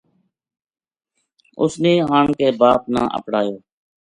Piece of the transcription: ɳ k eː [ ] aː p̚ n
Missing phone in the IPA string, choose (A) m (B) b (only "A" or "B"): B